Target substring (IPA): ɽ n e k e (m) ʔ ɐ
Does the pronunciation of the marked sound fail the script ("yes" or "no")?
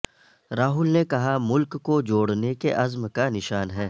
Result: yes